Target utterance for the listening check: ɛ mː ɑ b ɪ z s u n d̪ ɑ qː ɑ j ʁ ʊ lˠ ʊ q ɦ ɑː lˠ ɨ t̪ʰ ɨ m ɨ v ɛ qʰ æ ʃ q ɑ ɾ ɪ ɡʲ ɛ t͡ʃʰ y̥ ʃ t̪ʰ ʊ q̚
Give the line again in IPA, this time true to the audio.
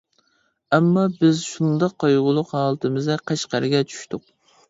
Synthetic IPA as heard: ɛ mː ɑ b ɪ z ʃ u n d̪ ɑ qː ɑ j ʁ ʊ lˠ ʊ q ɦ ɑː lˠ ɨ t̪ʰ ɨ m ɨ z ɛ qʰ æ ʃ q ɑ ɾ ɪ ɡʲ ɛ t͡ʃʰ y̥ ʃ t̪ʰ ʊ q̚